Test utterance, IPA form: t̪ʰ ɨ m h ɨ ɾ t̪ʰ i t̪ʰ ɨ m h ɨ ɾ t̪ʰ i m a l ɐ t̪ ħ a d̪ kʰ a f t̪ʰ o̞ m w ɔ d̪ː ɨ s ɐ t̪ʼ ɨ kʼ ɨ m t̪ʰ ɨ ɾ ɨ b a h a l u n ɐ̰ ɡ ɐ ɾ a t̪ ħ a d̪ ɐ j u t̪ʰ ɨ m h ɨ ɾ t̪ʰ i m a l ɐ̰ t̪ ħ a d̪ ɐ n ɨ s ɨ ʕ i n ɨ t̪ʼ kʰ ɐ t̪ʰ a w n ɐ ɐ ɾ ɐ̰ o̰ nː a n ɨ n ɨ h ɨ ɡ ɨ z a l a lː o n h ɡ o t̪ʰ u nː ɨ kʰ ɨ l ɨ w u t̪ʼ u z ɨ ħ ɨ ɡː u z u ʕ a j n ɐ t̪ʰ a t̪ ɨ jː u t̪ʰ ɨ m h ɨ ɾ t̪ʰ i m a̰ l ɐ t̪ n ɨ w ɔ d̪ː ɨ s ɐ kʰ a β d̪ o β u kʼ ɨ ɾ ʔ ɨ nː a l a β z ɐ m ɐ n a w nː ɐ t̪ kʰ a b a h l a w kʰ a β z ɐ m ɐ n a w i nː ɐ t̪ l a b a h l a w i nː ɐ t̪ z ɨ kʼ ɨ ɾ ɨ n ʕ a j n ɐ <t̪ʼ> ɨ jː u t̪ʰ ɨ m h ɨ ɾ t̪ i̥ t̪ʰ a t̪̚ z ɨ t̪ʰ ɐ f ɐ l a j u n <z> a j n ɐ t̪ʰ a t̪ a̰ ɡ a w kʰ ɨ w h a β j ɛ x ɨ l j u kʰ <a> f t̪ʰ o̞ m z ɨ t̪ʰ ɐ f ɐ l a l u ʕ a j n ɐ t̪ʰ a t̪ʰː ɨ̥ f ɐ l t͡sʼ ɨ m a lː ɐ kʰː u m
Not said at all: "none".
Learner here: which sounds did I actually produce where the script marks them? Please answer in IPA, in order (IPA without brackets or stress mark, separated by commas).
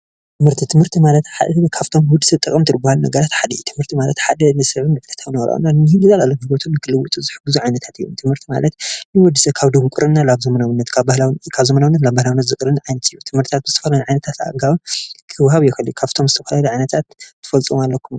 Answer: t̪, ʕ, a